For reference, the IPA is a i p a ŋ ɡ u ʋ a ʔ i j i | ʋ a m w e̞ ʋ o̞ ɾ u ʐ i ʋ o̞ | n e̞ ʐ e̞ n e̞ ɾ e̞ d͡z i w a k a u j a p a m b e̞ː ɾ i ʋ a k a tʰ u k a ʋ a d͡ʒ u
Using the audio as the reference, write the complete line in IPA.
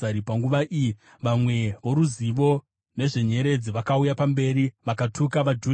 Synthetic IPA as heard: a i p a ŋ ɡ u ʋ a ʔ i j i | ʋ a m w e̞ ʋ o̞ ɾ u z i ʋ o̞ | n e̞ ʐ e̞ ɲ e̞ ɾ e̞ d͡z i ʋ a k a u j a p a m b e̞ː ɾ i ʋ a k a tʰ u k a ʋ a d͡ʒ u